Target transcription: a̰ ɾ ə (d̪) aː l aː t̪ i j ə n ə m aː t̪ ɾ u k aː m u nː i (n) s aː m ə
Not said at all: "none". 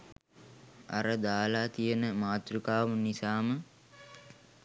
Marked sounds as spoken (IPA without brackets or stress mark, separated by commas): d̪, none